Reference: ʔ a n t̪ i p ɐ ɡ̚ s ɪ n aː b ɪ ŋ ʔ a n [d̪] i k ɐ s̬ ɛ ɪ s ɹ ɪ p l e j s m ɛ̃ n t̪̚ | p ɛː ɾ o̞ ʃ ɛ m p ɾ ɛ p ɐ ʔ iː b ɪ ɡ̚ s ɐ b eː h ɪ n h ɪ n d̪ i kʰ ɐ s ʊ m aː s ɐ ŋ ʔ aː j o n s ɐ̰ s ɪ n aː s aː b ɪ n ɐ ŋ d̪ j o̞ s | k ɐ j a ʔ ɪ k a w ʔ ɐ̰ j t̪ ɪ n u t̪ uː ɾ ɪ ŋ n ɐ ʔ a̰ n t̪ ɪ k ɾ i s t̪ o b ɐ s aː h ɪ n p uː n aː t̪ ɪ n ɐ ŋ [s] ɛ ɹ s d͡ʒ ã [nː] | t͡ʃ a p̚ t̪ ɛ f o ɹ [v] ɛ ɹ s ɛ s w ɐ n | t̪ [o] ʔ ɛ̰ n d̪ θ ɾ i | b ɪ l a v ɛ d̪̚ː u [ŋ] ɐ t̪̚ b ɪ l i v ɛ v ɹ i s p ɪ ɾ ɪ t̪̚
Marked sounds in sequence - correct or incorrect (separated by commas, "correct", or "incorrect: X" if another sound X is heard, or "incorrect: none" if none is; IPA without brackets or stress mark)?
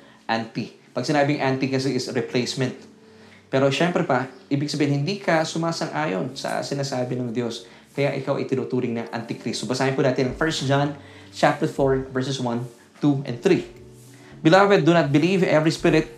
incorrect: t̪, incorrect: f, incorrect: n, correct, incorrect: u, incorrect: n